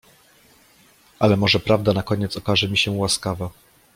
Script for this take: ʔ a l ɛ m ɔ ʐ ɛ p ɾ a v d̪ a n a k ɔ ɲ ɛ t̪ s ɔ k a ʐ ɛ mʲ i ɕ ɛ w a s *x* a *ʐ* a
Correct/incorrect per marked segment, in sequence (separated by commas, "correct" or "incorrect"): incorrect, incorrect